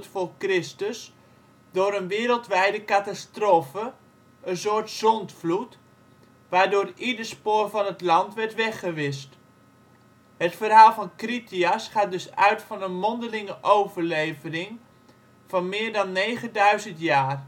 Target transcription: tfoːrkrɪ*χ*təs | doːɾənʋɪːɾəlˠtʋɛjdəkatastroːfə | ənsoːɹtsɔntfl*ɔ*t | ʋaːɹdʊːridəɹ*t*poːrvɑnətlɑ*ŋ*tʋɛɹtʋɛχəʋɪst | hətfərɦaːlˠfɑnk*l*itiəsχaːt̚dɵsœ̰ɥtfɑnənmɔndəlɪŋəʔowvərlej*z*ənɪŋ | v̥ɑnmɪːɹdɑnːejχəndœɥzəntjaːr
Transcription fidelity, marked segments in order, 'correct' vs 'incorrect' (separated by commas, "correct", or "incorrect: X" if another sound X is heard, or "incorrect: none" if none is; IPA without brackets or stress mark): incorrect: s, incorrect: u, incorrect: s, incorrect: n, incorrect: r, incorrect: v